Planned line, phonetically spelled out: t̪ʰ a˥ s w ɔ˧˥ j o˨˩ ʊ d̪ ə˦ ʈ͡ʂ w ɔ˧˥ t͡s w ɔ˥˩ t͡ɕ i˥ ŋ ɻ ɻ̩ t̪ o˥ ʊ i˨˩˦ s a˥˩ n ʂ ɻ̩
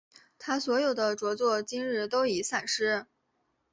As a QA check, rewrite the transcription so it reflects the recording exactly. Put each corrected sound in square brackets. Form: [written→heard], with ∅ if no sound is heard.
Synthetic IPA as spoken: t̪ʰ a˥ s w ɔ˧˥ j o˨˩ ʊ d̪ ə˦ ʈ͡ʂ w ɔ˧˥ t͡s w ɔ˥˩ t͡ɕ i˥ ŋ ɻ ɻ̩ t̪ o˥ ʊ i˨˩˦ s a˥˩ n ʂ ɻ̩

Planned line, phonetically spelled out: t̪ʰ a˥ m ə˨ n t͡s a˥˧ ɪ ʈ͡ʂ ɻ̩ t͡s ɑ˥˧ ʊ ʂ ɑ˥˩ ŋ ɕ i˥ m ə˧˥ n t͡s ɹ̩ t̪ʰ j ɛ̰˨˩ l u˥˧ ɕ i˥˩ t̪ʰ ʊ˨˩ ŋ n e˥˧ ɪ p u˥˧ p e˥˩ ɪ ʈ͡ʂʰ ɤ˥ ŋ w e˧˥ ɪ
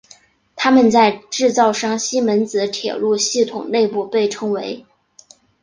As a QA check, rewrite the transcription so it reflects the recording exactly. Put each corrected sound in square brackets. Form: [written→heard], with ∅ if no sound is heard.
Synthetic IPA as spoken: t̪ʰ a˥ m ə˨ n t͡s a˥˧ ɪ ʈ͡ʂ ɻ̩ t͡s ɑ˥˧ ʊ ʂ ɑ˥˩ ŋ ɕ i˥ m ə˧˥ n t͡s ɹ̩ t̪ʰ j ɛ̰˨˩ l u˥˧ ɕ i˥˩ t̪ʰ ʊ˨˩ ŋ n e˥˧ ɪ p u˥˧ p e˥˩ ɪ ʈ͡ʂʰ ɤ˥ ŋ w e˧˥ ɪ

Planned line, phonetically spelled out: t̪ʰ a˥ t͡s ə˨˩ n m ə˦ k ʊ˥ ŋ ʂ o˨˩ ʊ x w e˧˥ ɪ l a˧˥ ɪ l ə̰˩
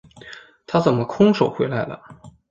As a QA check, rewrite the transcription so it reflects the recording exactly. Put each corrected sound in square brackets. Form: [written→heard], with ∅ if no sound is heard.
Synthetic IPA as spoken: t̪ʰ a˥ t͡s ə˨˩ n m ə˦ [k→kʰ] ʊ˥ ŋ ʂ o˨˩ ʊ x w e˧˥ ɪ l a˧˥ ɪ l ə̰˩

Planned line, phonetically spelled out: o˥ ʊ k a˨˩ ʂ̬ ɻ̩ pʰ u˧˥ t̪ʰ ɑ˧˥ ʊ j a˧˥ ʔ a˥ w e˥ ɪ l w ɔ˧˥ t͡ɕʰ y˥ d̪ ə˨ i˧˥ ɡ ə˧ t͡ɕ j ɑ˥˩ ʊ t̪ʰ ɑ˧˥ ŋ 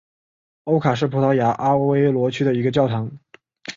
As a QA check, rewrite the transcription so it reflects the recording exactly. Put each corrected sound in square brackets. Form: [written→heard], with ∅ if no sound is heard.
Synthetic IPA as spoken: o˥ ʊ [k→kʰ] a˨˩ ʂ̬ ɻ̩ pʰ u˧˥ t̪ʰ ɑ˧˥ ʊ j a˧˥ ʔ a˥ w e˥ ɪ l w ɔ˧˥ t͡ɕʰ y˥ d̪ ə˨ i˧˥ ɡ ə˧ t͡ɕ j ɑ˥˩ ʊ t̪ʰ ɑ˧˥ ŋ

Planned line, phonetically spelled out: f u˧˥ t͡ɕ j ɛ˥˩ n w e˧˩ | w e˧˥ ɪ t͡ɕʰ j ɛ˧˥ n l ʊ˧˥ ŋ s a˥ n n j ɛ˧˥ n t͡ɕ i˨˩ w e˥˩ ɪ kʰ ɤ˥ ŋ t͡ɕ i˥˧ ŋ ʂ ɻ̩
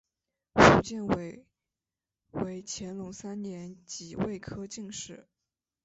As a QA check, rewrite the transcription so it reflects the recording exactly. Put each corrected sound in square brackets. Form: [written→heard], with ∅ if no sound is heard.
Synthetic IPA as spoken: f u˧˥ t͡ɕ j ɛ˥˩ n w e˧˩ | w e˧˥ ɪ t͡ɕʰ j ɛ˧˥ n l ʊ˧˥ ŋ s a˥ n n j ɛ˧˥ n t͡ɕ i˨˩ w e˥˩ ɪ kʰ ɤ˥ [ŋ→∅] t͡ɕ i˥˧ ŋ ʂ ɻ̩

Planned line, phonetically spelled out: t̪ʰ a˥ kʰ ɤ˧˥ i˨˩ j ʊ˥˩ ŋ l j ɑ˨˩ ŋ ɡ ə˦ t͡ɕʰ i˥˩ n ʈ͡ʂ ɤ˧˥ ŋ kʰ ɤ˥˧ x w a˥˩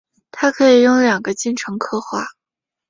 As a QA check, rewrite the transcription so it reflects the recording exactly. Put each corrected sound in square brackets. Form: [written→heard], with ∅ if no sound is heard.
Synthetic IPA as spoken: t̪ʰ a˥ kʰ ɤ˧˥ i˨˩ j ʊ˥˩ ŋ l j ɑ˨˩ ŋ ɡ ə˦ [t͡ɕʰ→t͡ɕ] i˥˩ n [ʈ͡ʂ→ʈ͡ʂʰ] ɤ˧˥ ŋ kʰ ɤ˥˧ x w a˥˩

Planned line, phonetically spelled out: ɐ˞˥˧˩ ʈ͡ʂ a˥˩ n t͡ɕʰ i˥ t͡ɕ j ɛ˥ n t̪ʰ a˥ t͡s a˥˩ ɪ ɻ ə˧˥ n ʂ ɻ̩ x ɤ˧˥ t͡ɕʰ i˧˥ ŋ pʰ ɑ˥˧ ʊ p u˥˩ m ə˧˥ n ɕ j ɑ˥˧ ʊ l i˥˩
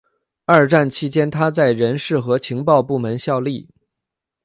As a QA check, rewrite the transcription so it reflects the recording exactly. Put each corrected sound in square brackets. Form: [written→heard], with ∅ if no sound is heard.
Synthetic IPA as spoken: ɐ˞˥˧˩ ʈ͡ʂ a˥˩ n t͡ɕʰ i˥ t͡ɕ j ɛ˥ n t̪ʰ a˥ t͡s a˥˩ ɪ ɻ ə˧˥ n ʂ ɻ̩ x ɤ˧˥ t͡ɕʰ i˧˥ ŋ [pʰ→p] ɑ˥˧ ʊ p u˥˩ m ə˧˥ n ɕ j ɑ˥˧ ʊ l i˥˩

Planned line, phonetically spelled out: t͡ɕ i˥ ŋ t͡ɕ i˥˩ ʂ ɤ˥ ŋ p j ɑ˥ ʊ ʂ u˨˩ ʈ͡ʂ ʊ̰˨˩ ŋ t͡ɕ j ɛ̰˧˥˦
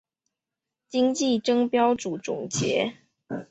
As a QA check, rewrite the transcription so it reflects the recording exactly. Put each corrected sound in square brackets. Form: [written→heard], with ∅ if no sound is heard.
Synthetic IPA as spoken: t͡ɕ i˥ ŋ t͡ɕ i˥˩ [ʂ→ʈ͡ʂ] ɤ˥ ŋ p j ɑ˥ ʊ [ʂ→ʈ͡ʂ] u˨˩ ʈ͡ʂ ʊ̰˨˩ ŋ t͡ɕ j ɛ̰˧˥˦

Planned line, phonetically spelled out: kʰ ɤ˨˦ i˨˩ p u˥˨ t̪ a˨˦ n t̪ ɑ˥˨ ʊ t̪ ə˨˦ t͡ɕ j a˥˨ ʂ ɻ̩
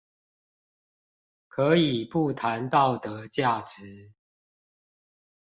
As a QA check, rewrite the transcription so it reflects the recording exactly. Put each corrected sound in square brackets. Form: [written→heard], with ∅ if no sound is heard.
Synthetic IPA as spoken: kʰ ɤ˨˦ i˨˩ p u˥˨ [t̪→t̪ʰ] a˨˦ n t̪ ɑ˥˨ ʊ t̪ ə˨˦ t͡ɕ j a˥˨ [ʂ→ʈ͡ʂ] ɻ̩

